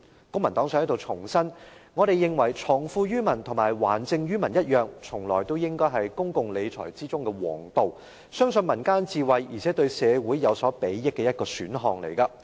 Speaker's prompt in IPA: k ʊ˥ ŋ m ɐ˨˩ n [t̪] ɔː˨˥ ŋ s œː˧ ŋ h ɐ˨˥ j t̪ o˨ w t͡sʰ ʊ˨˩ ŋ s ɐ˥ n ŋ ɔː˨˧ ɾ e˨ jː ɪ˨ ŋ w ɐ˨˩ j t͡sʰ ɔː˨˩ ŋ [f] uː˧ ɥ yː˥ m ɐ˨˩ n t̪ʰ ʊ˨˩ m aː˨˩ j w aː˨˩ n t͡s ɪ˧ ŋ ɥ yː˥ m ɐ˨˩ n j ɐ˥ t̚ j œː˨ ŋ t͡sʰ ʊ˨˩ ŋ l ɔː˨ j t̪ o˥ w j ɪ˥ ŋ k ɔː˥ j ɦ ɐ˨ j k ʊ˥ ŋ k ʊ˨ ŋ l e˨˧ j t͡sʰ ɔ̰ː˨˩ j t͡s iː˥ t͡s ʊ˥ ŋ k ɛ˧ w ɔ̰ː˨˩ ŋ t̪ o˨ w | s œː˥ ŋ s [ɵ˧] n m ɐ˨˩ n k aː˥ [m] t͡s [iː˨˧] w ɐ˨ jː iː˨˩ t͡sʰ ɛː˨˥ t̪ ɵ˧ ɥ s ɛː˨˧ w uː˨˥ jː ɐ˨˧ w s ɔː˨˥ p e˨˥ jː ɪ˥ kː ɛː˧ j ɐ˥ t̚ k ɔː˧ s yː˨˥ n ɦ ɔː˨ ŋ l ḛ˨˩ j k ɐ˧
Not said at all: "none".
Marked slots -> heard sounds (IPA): t̪, f, ɵ˧, n, iː˨˧

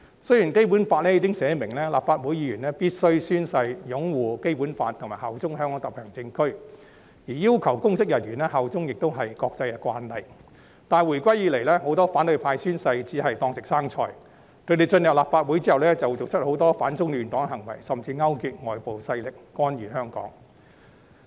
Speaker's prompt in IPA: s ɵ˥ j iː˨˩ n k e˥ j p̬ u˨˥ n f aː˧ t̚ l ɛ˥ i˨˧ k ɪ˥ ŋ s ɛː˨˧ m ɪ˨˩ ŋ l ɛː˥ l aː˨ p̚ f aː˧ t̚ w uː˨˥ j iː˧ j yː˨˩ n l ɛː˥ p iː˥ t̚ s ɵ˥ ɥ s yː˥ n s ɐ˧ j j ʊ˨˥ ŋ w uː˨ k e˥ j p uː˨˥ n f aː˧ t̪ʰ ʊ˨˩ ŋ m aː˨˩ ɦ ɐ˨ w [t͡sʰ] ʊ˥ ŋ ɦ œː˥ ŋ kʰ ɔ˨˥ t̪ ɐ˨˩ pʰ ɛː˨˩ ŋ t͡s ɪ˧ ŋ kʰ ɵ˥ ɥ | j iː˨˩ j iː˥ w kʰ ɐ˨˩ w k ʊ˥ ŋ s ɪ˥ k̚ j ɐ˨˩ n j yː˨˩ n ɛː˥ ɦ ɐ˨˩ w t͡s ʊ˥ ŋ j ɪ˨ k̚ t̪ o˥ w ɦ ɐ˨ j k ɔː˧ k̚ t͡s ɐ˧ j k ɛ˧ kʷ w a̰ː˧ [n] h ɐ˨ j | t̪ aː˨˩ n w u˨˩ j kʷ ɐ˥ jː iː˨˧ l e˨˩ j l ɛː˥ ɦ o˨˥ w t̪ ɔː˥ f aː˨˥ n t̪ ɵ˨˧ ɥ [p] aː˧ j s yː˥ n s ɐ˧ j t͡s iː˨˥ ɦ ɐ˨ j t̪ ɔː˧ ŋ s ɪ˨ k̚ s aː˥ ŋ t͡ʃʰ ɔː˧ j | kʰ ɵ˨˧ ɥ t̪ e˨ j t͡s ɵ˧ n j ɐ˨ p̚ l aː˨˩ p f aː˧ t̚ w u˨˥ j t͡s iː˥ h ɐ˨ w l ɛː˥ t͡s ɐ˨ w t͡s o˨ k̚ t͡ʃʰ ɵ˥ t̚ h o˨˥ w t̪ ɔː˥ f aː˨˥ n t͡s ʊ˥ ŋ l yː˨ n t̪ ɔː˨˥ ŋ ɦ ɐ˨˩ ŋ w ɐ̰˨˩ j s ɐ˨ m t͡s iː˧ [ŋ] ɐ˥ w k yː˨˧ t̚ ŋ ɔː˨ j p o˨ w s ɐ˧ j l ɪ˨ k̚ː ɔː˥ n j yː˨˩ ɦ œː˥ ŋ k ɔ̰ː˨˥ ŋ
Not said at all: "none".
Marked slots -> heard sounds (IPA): t͡s, n, pʰ, ŋ

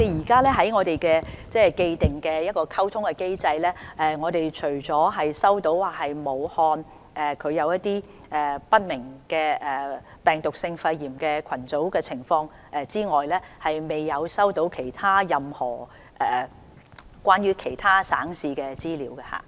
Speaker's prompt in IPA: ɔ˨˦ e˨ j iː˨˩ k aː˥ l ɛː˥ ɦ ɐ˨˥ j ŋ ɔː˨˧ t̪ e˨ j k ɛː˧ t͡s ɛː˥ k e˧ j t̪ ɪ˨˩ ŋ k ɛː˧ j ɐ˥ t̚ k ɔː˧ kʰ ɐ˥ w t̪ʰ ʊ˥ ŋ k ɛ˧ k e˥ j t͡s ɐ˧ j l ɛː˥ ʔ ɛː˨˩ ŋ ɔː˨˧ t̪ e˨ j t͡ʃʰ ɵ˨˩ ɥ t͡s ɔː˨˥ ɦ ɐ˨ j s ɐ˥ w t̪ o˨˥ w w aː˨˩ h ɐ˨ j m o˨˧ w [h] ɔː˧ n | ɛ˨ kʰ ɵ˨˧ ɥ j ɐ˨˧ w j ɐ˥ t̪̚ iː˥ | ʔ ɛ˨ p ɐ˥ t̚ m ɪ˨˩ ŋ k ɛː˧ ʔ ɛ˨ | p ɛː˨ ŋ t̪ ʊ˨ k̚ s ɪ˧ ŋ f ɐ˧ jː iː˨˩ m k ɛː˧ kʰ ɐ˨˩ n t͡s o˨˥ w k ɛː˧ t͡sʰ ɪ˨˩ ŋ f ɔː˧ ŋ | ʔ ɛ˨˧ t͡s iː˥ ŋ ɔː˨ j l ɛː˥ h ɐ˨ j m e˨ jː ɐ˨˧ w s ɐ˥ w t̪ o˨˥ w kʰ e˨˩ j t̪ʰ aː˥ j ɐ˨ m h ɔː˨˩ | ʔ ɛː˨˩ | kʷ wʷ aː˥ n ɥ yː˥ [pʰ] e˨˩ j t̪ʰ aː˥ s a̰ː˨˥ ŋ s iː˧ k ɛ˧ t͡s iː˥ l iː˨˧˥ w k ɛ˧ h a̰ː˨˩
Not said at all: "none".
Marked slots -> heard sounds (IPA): h, kʰ

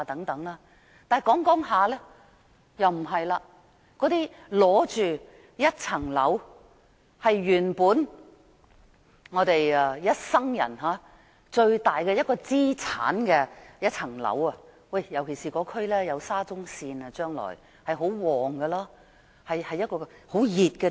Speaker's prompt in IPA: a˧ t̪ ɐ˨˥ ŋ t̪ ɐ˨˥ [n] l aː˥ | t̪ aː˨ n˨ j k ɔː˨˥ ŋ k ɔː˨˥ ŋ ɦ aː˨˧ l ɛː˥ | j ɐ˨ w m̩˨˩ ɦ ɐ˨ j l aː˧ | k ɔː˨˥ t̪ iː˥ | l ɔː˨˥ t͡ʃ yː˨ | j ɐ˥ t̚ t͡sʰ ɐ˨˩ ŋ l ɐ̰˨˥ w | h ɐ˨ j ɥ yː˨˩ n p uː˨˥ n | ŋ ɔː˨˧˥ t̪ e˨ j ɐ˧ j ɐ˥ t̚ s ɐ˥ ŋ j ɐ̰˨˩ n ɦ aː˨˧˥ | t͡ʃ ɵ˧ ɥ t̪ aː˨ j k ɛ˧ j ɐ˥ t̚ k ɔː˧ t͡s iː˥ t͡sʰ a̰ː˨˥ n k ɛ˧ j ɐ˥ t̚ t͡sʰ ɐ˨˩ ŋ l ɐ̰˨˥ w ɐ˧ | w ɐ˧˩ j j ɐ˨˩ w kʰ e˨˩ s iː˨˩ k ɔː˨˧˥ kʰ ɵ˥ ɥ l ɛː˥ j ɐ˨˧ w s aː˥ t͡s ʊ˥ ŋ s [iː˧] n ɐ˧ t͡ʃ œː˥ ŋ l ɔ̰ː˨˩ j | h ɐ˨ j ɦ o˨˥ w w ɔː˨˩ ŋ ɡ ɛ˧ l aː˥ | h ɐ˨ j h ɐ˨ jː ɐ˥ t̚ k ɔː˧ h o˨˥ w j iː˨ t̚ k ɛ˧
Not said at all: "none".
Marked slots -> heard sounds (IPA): ŋ, iː˧

